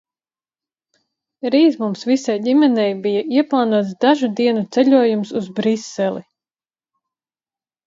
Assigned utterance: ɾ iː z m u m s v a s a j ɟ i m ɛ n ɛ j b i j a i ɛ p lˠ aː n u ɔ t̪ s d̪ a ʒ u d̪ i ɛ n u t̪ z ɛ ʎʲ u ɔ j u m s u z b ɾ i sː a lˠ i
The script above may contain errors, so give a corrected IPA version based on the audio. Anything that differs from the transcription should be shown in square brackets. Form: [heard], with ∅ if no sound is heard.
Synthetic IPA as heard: ɾ iː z m u m s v [i] s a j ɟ i m ɛ n ɛ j b i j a i ɛ p lˠ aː n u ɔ t̪ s d̪ a ʒ u d̪ i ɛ n u t̪ [s] ɛ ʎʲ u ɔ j u m s u z b ɾ i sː [ɛ] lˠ i